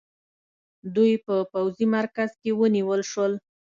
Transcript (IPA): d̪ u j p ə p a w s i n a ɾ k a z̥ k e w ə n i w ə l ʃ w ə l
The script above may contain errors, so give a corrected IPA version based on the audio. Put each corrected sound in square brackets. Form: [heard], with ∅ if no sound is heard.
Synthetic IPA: d̪ u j p ə p a w [z] i [m] a ɾ k a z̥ k e w ə n i w ə l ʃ w ə l